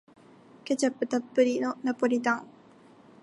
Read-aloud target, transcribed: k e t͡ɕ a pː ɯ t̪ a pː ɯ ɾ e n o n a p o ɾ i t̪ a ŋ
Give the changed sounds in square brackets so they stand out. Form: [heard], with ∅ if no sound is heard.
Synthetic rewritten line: k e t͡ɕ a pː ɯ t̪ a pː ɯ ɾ [i] n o n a p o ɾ i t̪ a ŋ

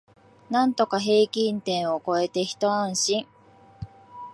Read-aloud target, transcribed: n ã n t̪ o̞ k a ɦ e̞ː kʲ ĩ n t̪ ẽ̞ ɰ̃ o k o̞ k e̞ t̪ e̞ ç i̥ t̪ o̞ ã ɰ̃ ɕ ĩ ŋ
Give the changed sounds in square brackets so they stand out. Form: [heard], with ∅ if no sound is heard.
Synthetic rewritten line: n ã n t̪ o̞ k a ɦ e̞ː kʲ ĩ n t̪ ẽ̞ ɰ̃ o k o̞ [∅] e̞ t̪ e̞ ç i̥ t̪ o̞ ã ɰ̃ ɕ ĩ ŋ

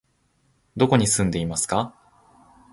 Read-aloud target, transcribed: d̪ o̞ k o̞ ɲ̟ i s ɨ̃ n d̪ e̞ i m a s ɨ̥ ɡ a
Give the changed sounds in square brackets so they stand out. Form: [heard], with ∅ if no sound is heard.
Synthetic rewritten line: d̪ o̞ k o̞ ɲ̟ i s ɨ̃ n d̪ e̞ i m a s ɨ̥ [k] a

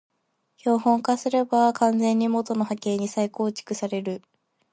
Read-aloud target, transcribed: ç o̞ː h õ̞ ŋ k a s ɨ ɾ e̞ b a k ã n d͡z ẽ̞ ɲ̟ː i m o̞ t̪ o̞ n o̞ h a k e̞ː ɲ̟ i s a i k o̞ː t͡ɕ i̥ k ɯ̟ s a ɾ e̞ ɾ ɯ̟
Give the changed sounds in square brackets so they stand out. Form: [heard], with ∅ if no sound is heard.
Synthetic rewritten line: ç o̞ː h õ̞ ŋ k a s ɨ ɾ e̞ b a k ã n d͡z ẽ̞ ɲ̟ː i m o̞ t̪ o̞ n o̞ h a k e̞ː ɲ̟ i s a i k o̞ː t͡ɕ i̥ k ɯ̟ s a ɾ e̞ ɾ ɯ̟

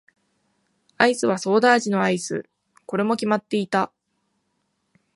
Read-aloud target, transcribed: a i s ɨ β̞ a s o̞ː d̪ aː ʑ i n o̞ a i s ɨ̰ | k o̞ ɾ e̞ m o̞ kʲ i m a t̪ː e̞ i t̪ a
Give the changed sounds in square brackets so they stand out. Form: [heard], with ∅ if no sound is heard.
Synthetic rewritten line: a i s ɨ β̞ a s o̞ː d̪ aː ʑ i n o̞ a i s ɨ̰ | k o̞ ɾ e̞ m o̞ kʲ i m a t̪ː e̞ i t̪ a

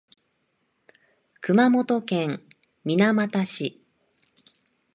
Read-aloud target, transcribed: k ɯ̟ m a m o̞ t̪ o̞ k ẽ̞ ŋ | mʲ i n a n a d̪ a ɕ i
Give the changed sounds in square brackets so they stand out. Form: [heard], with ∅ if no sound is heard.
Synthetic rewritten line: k ɯ̟ m a m o̞ t̪ o̞ k ẽ̞ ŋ | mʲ i n a [m] a [t̪] a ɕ i

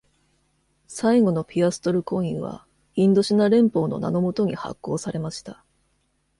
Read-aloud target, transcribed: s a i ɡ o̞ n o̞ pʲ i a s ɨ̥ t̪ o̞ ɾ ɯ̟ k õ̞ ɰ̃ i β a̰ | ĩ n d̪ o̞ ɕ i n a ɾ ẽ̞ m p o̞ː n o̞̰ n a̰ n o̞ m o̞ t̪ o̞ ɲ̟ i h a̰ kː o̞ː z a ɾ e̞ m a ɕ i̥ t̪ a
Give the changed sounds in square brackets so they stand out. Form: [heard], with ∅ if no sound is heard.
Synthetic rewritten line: s a i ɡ o̞ n o̞ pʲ i a s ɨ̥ t̪ o̞ ɾ ɯ̟ k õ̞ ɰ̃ i β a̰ | ĩ n d̪ o̞ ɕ i n a ɾ ẽ̞ m p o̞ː n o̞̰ n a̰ n o̞ m o̞ t̪ o̞ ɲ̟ i h a̰ kː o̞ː [s] a ɾ e̞ m a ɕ i̥ t̪ a

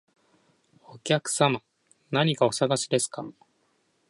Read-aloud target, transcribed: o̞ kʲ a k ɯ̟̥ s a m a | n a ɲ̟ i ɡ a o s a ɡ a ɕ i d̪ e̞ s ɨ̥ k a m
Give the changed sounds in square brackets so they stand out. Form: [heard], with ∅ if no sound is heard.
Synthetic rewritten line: o̞ kʲ a k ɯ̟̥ s a m a | n a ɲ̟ i [k] a o s a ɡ a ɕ i d̪ e̞ s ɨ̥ k a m

